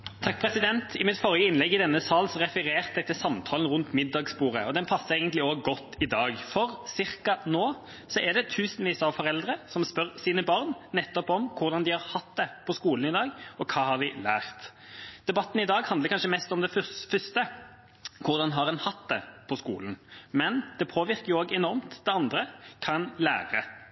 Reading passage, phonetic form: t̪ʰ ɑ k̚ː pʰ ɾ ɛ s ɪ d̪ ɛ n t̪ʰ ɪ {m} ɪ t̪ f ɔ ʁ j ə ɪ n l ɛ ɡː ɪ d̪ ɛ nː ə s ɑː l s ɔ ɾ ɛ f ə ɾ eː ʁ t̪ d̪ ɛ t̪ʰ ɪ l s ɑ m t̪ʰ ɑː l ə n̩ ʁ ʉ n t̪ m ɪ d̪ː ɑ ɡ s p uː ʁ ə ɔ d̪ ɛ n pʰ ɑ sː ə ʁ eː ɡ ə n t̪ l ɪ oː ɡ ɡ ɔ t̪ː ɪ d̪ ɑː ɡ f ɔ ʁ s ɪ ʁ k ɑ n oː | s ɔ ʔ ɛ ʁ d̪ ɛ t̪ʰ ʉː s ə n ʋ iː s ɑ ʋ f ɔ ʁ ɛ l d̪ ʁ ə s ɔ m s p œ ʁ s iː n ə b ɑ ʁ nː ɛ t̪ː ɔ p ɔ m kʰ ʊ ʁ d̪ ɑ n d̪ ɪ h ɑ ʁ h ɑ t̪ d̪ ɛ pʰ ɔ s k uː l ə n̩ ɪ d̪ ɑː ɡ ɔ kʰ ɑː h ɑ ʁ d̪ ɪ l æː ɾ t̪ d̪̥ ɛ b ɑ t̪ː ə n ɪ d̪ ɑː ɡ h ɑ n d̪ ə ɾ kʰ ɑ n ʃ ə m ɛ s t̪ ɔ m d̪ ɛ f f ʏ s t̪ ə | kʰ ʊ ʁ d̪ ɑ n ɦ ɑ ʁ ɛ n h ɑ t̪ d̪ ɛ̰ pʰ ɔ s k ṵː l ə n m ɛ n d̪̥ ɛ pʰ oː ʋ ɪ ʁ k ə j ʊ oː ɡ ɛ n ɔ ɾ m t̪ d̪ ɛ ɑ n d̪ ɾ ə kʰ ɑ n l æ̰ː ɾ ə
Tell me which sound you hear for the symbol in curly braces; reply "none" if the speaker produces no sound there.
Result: m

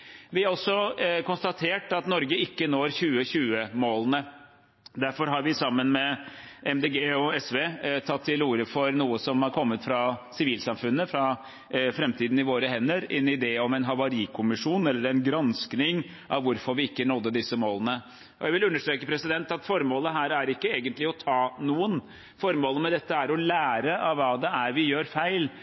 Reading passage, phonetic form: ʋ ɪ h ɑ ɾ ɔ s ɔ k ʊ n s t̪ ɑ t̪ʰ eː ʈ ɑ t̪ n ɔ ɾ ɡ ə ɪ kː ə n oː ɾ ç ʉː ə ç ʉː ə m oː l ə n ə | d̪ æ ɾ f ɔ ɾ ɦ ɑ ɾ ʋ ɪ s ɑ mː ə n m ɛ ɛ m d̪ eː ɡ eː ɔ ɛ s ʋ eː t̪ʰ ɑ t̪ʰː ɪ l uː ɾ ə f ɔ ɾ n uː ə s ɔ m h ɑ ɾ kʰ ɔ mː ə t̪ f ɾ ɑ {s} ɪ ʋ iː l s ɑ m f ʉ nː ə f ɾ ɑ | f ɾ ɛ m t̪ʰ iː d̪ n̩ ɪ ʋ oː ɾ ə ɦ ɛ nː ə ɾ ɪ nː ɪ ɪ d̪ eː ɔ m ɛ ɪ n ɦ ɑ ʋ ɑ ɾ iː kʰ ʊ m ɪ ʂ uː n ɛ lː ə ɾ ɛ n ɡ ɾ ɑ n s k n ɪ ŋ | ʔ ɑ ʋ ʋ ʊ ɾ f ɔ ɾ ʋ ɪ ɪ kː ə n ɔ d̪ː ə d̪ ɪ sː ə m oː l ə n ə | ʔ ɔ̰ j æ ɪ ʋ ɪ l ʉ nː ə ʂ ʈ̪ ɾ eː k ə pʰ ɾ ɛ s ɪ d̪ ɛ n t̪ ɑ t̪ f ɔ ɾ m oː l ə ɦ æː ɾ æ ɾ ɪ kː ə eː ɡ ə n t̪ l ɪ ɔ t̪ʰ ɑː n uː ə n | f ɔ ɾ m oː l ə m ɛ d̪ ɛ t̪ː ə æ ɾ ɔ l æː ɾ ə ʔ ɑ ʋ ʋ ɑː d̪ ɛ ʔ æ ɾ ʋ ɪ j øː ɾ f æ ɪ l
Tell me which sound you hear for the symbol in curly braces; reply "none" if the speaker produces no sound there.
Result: s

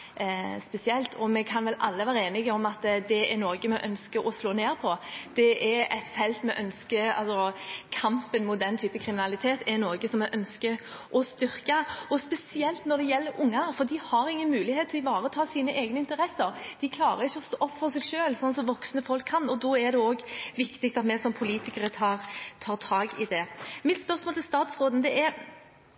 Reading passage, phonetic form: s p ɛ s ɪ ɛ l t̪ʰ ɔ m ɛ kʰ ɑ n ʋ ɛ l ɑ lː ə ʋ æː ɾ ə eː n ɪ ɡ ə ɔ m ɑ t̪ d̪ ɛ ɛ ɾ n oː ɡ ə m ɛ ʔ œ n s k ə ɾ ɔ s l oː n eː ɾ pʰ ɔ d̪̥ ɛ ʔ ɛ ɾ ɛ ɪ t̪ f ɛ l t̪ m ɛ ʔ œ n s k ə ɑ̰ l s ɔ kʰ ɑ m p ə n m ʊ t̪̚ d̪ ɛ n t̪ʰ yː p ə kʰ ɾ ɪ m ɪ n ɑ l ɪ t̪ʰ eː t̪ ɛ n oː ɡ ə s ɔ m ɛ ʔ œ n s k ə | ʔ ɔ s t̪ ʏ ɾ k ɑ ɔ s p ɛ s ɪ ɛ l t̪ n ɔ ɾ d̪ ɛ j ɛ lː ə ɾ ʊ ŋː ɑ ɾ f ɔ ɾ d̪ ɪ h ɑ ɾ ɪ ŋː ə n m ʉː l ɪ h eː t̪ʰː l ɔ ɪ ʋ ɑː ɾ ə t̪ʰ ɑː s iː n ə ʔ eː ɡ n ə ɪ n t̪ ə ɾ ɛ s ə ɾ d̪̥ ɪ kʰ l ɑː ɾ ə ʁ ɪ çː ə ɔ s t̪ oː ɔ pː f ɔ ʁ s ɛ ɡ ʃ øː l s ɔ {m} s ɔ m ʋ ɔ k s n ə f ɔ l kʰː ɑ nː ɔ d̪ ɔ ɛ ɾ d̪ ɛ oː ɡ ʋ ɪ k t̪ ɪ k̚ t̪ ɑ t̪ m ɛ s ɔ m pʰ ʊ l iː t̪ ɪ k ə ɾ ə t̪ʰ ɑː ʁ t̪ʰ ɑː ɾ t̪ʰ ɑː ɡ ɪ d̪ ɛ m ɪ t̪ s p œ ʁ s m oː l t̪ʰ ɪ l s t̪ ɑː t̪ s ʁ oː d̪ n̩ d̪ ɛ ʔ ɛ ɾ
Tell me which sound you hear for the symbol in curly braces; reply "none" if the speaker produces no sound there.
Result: n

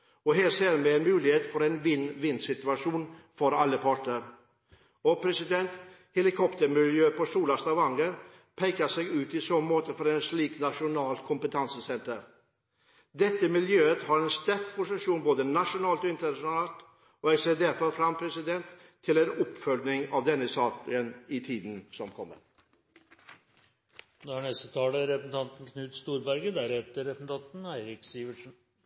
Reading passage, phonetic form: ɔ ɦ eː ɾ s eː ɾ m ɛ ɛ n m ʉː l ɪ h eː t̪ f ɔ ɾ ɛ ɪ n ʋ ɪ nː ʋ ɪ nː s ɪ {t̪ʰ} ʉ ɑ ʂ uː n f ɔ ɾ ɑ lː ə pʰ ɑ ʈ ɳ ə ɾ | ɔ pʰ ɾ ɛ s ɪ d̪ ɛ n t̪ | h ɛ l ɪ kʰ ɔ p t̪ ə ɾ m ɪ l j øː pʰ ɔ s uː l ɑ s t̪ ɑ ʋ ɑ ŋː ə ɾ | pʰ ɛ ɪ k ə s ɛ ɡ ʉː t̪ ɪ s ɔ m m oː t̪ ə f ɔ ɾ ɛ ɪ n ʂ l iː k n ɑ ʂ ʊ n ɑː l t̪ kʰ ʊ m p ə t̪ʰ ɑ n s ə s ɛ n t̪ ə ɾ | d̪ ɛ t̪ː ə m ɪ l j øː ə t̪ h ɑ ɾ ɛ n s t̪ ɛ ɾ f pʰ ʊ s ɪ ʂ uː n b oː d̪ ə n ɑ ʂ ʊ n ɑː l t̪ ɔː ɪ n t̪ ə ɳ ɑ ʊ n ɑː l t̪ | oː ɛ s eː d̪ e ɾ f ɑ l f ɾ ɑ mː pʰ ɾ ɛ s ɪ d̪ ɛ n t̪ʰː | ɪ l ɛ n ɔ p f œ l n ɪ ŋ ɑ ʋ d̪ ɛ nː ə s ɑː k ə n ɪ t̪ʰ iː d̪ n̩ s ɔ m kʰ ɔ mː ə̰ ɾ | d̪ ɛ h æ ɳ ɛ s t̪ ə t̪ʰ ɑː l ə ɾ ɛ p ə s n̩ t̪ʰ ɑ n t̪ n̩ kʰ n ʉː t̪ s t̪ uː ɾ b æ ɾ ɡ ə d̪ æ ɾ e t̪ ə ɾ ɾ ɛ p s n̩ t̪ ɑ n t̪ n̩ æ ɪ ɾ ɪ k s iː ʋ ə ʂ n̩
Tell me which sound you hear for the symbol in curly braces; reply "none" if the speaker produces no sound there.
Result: t̪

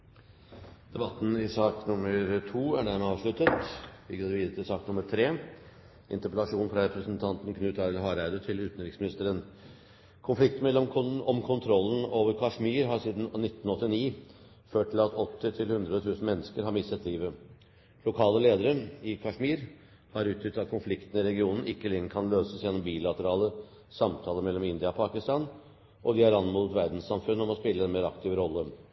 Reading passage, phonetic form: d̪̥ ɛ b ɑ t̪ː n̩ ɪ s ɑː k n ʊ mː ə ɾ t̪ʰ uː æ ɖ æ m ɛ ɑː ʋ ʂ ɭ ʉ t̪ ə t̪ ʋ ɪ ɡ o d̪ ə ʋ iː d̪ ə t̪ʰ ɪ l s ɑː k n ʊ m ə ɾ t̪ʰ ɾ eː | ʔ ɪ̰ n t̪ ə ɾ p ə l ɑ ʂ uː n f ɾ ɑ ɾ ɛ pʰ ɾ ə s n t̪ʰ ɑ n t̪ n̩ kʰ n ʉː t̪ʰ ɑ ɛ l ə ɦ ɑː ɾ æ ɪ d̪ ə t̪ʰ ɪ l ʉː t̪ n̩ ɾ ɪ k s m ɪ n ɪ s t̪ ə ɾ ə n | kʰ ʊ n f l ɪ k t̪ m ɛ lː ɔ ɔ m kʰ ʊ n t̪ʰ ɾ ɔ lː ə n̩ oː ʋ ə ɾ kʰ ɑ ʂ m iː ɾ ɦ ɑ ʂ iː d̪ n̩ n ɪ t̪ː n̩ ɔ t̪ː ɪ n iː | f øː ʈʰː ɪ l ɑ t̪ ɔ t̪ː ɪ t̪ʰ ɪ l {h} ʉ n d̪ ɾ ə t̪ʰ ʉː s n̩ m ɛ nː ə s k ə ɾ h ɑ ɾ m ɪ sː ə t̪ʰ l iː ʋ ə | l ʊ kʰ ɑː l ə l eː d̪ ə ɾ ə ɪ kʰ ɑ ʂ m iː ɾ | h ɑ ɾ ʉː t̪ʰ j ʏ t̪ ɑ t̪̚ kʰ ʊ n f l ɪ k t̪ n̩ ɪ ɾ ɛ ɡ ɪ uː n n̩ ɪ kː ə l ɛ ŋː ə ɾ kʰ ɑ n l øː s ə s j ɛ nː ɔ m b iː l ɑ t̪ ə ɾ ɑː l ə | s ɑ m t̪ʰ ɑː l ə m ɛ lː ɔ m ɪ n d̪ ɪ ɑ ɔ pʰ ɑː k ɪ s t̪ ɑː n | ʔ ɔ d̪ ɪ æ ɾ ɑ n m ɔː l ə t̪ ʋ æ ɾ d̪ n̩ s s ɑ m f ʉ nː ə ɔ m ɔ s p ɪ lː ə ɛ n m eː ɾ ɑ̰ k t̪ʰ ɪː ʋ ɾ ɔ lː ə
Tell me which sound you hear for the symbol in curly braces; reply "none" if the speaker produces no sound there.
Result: h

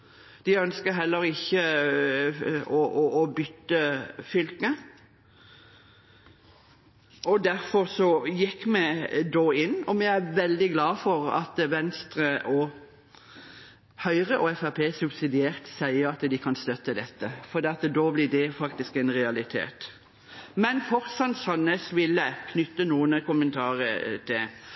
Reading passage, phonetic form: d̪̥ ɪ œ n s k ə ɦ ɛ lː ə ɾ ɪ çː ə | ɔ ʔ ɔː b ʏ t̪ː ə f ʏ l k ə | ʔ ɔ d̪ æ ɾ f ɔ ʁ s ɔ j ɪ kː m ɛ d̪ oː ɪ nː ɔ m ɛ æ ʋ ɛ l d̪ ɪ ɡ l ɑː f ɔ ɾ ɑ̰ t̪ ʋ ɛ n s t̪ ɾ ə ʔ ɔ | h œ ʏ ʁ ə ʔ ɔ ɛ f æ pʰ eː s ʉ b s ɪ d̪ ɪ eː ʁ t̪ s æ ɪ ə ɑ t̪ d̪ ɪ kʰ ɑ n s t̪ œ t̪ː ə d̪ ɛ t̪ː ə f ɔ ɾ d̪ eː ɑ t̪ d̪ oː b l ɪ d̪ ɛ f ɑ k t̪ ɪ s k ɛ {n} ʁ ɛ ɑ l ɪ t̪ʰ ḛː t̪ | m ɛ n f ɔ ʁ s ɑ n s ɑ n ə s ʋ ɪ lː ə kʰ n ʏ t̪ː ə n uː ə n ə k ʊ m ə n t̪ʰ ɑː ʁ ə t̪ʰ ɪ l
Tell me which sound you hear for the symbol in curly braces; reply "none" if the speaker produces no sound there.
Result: n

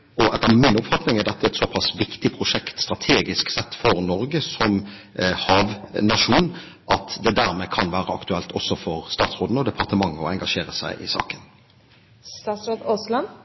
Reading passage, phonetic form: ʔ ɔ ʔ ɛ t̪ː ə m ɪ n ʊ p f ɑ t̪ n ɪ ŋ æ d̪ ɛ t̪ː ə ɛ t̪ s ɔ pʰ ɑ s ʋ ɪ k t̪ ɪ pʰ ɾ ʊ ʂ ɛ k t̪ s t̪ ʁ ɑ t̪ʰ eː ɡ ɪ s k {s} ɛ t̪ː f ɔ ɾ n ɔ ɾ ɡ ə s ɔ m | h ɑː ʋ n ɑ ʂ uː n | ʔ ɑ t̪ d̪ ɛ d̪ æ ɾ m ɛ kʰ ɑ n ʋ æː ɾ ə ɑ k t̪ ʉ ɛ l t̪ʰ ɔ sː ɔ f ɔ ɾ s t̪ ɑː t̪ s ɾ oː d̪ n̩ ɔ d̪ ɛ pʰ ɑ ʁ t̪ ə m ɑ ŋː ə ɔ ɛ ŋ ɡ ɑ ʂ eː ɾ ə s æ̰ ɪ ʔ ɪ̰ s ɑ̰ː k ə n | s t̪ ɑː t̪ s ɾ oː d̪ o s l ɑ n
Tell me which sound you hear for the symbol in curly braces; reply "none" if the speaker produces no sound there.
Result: s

